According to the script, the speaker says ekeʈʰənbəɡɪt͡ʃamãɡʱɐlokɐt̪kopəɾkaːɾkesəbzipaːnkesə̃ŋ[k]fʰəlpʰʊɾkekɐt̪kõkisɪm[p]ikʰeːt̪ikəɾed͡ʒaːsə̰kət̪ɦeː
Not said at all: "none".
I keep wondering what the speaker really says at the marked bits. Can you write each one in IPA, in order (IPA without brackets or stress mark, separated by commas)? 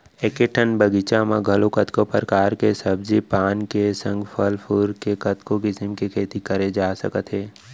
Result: ɡ, k